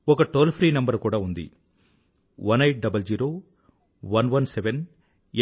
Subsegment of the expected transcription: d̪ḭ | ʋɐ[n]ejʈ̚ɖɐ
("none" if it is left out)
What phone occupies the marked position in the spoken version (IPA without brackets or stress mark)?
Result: n